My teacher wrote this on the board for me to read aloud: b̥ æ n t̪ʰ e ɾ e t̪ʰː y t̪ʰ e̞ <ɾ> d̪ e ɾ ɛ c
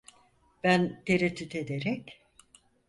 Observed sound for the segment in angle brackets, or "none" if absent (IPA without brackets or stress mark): none